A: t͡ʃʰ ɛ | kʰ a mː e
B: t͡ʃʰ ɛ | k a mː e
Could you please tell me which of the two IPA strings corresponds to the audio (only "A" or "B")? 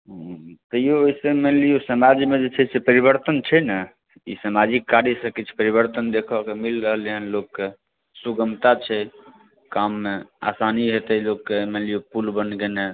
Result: B